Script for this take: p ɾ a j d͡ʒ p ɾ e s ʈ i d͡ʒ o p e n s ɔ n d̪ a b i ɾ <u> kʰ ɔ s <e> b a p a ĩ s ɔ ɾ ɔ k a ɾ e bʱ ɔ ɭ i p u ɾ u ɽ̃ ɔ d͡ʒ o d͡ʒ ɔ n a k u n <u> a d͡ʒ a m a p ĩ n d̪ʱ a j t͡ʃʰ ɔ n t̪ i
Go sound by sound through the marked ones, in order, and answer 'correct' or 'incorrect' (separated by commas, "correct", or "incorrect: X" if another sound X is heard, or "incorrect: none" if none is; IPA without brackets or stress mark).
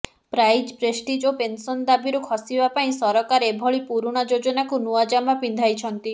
correct, incorrect: i, correct